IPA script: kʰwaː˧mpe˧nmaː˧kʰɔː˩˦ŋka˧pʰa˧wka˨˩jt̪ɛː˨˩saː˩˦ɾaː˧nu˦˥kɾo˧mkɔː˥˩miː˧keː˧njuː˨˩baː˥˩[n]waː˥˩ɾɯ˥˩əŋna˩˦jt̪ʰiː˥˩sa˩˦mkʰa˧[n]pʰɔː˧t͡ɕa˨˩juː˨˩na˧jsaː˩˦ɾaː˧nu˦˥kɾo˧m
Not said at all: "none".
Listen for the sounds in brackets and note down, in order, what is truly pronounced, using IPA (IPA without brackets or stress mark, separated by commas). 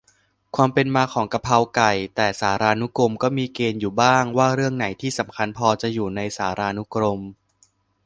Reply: ŋ, n